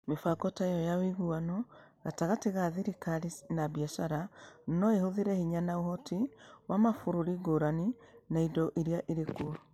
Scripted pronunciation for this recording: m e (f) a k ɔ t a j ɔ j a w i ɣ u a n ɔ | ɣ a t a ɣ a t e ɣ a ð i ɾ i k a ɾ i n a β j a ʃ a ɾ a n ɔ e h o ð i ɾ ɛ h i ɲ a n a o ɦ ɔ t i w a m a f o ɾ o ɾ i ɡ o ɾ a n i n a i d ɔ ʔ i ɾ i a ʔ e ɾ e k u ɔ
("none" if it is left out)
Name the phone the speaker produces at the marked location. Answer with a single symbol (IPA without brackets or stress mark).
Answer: f